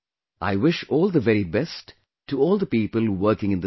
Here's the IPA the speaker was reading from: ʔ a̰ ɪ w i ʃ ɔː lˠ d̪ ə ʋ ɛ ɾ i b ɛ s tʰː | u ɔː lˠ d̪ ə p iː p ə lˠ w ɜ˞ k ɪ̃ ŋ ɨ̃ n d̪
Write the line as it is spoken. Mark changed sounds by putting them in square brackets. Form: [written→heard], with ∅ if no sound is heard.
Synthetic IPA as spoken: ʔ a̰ ɪ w [i→ɪ] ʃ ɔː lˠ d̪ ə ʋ ɛ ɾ i b ɛ s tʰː | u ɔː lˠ d̪ ə p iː p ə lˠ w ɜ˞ k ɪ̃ ŋ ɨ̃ n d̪

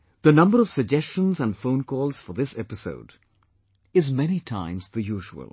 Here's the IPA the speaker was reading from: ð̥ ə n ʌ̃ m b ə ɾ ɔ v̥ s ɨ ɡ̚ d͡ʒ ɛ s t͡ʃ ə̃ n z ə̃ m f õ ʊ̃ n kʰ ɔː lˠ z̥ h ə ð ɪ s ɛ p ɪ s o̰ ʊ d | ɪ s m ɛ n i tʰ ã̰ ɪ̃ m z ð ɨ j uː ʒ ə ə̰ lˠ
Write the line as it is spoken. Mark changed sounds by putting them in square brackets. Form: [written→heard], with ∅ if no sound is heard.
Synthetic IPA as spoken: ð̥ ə n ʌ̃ m b ə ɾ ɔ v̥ s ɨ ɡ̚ d͡ʒ ɛ s t͡ʃ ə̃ n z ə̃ [m→n] f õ ʊ̃ n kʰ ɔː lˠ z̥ [h→f] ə ð ɪ s ɛ p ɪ s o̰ ʊ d | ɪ [s→z] m ɛ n i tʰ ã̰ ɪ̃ m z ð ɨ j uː ʒ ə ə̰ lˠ

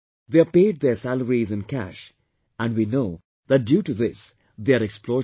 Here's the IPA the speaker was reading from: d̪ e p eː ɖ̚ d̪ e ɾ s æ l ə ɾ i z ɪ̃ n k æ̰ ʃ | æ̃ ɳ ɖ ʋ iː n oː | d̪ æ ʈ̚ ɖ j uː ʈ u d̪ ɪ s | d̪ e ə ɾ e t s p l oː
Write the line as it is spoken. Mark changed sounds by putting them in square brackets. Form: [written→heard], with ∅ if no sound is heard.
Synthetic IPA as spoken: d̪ e p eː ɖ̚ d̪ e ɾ s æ l ə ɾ i z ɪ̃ n k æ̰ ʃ | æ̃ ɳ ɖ ʋ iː n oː | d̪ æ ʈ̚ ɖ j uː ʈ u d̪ ɪ s | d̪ e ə ɾ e [t→k] s p l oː

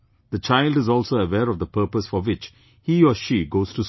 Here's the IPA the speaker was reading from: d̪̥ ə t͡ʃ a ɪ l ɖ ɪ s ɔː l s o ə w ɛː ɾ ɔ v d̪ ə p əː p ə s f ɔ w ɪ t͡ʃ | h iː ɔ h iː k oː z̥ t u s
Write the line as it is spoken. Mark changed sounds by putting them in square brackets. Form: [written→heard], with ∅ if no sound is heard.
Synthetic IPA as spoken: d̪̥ ə t͡ʃ a ɪ l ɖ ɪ [s→z] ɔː l s o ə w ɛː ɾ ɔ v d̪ ə p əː p ə s f ɔ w ɪ t͡ʃ | h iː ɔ [h→ʃ] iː [k→ɡ] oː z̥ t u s

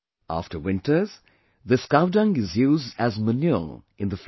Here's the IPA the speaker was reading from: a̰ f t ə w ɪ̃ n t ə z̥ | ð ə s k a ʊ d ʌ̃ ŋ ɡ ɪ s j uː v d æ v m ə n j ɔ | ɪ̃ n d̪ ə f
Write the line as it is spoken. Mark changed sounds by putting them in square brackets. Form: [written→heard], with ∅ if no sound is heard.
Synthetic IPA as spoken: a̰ f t ə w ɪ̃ n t ə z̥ | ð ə s k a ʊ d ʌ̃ ŋ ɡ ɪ [s→z] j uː [v→z] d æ [v→z] m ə n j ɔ | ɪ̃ n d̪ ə f

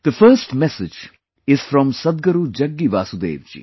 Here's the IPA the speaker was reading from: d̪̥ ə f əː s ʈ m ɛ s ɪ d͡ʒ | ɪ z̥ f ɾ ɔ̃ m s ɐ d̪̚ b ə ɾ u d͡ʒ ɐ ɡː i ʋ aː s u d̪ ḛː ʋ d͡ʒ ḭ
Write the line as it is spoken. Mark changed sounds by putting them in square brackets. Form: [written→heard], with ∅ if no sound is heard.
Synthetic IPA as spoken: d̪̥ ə f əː s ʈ m ɛ s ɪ d͡ʒ | ɪ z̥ f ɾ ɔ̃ m s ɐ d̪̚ [b→ɡ] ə ɾ u d͡ʒ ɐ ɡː i ʋ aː s u d̪ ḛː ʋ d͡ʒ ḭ

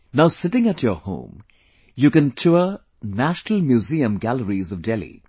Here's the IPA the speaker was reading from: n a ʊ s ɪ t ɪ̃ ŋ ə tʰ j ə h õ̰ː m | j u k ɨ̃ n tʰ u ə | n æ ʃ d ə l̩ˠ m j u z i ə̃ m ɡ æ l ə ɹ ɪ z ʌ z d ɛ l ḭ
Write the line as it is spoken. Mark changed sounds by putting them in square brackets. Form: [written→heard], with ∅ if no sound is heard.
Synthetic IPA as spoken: n a ʊ s ɪ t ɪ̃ ŋ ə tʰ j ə h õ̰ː m | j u k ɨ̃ n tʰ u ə | n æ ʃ [d→n] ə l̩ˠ m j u z i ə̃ m ɡ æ l ə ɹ [ɪ→i] z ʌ [z→v] d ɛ l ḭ

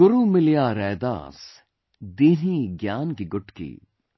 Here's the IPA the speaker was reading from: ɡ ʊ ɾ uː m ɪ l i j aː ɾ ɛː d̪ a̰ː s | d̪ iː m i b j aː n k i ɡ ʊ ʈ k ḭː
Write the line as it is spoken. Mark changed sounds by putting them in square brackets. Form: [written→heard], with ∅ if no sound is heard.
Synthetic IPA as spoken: ɡ ʊ ɾ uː m ɪ l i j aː ɾ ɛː d̪ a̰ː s | d̪ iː [m→n] i [b→ɡ] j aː n k i ɡ ʊ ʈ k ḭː

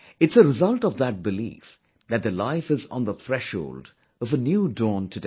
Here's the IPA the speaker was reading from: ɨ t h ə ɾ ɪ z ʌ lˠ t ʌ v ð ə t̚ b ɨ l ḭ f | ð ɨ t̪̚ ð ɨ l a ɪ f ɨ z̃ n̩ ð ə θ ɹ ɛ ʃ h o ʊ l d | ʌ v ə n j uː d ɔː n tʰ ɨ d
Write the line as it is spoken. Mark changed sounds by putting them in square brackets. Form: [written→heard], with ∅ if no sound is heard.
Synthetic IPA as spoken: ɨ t [h→s] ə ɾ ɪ z ʌ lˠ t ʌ v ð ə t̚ b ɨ l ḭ f | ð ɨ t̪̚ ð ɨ l a ɪ f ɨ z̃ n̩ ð ə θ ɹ ɛ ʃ h o ʊ l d | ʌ v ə n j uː d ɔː n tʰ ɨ d

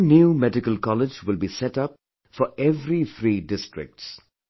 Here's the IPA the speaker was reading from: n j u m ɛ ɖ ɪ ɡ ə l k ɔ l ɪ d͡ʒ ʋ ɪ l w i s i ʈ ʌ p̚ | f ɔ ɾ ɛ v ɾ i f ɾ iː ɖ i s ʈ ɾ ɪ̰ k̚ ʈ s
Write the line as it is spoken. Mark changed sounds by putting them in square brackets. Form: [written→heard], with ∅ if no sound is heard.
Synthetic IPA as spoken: n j u m ɛ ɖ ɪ [ɡ→k] ə l k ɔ l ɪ d͡ʒ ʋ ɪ l [w→b] i s [i→ɛ] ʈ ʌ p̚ | f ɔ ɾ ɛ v ɾ i f ɾ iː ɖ [i→ɪ] s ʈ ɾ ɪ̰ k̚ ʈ s

